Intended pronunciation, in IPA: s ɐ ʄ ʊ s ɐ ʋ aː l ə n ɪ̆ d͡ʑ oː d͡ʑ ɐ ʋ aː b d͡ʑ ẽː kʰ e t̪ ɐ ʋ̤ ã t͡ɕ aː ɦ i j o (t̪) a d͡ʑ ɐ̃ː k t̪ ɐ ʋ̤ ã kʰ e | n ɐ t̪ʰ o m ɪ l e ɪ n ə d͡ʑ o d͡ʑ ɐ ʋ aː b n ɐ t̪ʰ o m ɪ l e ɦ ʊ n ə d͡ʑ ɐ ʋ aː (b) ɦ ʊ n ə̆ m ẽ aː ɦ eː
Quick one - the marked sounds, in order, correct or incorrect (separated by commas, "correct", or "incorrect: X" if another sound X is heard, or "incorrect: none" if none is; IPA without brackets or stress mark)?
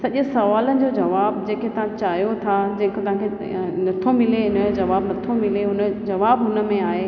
incorrect: t̪ʰ, correct